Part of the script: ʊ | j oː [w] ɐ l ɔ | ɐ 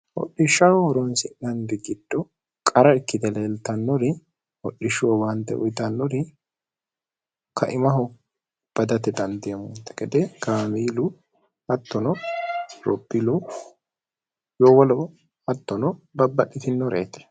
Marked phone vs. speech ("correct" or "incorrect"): correct